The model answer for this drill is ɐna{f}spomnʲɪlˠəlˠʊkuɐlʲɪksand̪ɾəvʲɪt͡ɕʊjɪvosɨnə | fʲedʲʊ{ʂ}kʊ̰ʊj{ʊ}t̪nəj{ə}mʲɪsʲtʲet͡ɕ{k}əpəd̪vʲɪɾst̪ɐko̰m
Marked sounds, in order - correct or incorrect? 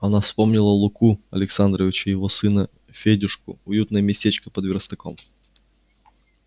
correct, correct, incorrect: u, correct, correct

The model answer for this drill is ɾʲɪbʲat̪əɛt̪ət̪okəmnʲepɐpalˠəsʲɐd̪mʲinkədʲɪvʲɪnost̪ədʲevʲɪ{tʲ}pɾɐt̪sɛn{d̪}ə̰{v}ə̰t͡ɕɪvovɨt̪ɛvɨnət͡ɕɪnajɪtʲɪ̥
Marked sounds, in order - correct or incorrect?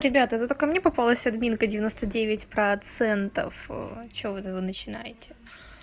correct, incorrect: t̪, incorrect: f

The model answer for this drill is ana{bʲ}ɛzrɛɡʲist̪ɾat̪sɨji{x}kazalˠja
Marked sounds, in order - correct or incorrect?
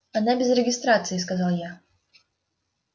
correct, incorrect: s

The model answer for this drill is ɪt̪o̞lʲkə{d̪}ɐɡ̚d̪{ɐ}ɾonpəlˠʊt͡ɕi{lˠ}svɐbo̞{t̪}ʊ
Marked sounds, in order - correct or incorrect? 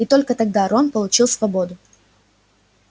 incorrect: t̪, incorrect: a, correct, incorrect: d̪

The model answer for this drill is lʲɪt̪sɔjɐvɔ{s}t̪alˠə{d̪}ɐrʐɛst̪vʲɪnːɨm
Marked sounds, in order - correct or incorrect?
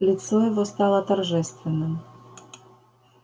correct, incorrect: t̪

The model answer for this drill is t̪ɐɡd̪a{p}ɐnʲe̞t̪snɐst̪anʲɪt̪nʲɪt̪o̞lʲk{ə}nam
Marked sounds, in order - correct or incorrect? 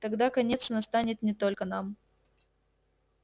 incorrect: k, correct

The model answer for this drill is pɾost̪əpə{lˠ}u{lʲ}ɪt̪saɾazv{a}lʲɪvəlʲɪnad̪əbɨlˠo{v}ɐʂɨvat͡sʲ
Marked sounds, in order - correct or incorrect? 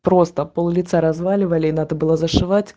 correct, correct, correct, incorrect: z

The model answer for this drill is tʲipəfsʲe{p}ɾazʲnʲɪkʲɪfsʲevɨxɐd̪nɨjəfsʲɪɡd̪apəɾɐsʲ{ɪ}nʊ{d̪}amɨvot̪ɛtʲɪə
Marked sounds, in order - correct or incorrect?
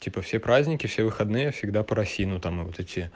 correct, incorrect: i, incorrect: t̪

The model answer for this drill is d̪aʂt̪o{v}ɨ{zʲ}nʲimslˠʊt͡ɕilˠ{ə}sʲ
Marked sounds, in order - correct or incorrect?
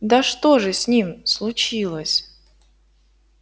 incorrect: ʐ, incorrect: sʲ, correct

